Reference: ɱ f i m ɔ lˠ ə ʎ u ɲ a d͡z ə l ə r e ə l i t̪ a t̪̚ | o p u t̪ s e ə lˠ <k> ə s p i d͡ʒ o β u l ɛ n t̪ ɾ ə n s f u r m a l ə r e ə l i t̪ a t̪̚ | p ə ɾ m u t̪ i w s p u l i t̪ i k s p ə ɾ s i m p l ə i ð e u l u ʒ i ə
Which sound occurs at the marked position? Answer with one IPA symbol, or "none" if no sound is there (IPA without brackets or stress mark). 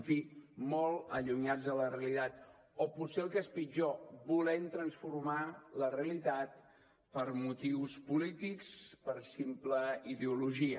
k